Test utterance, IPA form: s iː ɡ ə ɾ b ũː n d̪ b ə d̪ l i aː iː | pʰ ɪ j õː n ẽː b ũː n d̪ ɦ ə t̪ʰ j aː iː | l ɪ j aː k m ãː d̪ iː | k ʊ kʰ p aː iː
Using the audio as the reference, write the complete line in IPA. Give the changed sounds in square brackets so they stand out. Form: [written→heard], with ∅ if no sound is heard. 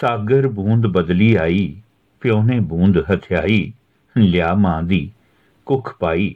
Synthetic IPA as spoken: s [iː→aː] ɡ ə ɾ b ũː n d̪ b ə d̪ l [i→iː] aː iː | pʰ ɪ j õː n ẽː b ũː n d̪ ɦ ə t̪ʰ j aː iː | l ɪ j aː [k→∅] m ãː d̪ iː | k ʊ kʰ p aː iː